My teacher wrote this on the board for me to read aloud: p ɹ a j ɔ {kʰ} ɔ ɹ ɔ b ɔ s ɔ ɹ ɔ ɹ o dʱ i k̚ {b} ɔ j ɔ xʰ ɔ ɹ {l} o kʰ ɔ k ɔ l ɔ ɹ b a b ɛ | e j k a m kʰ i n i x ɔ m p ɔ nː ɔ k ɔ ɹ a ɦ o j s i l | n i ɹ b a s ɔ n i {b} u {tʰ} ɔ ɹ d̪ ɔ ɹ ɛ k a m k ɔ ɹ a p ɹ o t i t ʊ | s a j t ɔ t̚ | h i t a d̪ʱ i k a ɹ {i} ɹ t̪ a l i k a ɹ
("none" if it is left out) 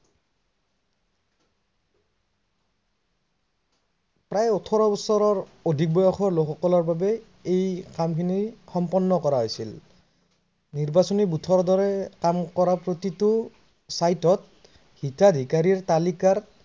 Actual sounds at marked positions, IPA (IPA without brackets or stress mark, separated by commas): tʰ, b, l, b, tʰ, i